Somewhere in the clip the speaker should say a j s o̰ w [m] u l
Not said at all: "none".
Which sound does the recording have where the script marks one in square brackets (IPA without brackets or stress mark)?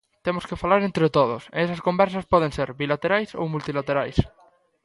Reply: m